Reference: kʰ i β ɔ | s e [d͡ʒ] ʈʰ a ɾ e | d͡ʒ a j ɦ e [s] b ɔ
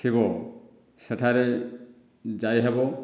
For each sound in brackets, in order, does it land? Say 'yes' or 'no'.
no, no

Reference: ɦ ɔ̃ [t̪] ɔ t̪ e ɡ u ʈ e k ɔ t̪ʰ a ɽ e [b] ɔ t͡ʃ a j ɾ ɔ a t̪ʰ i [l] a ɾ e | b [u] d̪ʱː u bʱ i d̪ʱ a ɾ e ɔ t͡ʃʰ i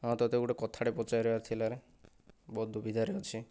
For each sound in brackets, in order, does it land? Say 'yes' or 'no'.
yes, no, yes, no

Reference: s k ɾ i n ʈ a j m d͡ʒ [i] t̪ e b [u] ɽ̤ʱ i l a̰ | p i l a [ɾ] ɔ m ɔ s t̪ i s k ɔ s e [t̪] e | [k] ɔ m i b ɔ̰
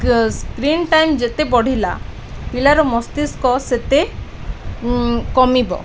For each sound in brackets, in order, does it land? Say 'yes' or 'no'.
no, no, yes, yes, yes

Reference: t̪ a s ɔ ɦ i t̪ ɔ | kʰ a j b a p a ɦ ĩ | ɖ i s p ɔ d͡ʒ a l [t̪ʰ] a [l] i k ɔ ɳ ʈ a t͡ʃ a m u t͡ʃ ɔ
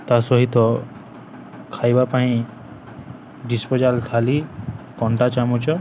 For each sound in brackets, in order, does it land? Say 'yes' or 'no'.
yes, yes

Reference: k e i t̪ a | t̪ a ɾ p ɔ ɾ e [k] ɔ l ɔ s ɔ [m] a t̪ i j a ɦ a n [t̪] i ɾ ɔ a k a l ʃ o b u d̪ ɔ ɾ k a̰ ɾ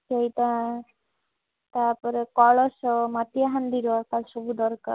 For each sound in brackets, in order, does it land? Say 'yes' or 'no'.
yes, yes, no

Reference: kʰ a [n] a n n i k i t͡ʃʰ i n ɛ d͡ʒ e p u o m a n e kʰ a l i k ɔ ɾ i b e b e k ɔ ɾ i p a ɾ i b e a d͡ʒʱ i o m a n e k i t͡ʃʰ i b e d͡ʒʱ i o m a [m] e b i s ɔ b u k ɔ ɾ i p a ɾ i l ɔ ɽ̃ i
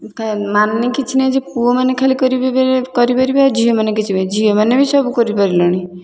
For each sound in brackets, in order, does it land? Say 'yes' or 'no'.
no, no

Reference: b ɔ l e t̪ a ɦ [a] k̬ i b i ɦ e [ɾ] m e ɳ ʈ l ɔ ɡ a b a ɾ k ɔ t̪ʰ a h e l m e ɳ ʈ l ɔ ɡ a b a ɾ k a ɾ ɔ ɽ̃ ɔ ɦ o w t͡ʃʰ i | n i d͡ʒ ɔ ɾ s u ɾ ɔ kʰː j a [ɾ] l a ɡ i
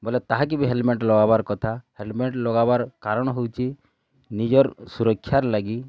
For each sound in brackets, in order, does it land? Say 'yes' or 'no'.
yes, no, yes

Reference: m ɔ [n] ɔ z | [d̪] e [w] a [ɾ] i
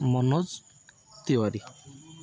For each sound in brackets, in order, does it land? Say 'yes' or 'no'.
yes, no, yes, yes

